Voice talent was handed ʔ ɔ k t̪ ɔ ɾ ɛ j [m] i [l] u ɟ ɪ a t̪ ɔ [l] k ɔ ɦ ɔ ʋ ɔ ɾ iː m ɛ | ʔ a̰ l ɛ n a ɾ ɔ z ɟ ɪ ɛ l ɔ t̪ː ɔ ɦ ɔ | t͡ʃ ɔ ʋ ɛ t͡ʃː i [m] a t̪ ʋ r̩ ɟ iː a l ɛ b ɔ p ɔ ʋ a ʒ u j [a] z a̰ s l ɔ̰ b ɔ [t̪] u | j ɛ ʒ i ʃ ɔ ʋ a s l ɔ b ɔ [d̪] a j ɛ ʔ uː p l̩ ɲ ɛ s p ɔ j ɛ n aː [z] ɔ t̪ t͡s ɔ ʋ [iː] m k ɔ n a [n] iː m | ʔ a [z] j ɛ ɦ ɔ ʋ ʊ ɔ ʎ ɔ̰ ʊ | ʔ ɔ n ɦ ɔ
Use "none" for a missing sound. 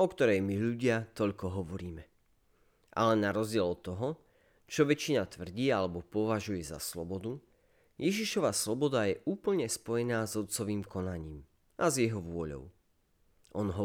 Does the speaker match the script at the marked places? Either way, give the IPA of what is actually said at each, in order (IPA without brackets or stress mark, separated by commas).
m, ʎ, ʎ, n, ɛ, d̪, d̪, z, iː, ɲ, z